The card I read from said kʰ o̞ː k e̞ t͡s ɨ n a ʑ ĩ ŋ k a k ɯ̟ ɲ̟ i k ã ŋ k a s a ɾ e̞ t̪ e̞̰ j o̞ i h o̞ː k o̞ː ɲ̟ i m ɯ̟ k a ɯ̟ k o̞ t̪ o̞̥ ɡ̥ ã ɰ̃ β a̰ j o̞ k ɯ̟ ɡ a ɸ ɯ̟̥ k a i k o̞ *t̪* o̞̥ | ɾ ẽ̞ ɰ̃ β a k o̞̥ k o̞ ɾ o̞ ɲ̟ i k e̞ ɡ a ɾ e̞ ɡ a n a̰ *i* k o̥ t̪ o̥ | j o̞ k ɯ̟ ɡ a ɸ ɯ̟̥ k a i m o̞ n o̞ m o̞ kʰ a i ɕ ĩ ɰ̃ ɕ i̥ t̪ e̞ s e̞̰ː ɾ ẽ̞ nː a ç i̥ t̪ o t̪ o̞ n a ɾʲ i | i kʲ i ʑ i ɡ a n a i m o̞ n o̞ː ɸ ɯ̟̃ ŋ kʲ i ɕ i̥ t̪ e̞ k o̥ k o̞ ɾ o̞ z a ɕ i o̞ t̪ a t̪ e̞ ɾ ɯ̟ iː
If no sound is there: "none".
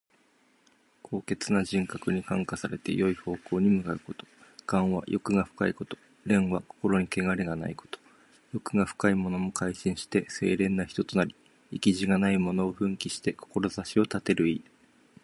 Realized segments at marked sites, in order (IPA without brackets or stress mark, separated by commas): t̪, i